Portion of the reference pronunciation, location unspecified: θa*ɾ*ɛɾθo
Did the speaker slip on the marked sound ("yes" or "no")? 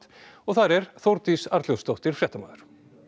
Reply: no